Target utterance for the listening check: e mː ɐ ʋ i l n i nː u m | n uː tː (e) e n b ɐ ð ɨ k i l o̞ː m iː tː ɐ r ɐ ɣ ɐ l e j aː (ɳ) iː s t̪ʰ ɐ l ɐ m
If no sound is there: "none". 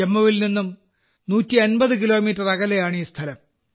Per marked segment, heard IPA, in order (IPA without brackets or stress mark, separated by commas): i, ɳ